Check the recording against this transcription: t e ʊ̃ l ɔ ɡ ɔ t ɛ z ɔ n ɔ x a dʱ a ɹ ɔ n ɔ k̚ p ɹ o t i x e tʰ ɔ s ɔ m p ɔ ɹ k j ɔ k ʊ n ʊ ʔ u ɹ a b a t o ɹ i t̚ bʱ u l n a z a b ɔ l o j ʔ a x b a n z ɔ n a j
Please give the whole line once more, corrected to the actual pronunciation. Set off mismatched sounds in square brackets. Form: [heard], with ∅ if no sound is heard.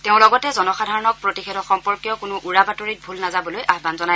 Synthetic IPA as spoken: t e ʊ̃ l ɔ ɡ ɔ t ɛ z ɔ n ɔ x a dʱ a ɹ ɔ n ɔ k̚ p ɹ o t i x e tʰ ɔ [x] ɔ m p ɔ ɹ k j ɔ k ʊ n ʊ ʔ u ɹ a b a t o ɹ i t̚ bʱ u l n a z a b ɔ l o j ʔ a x b a n z ɔ n a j